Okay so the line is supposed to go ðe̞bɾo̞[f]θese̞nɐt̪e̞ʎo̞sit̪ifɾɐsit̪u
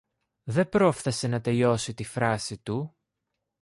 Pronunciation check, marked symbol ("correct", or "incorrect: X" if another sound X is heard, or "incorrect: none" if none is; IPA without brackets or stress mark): correct